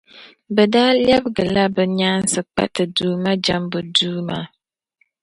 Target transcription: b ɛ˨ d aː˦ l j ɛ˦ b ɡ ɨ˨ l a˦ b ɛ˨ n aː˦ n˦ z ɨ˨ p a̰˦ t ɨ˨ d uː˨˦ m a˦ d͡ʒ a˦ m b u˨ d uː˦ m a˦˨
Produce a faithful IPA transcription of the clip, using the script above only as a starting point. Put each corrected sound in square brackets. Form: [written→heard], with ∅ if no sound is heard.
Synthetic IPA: b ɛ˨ d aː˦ l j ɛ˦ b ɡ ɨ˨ l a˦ b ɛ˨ [n→ɲ] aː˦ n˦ [z→s] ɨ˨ [p→k͡p] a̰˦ t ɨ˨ d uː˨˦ m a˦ d͡ʒ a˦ m b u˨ d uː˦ m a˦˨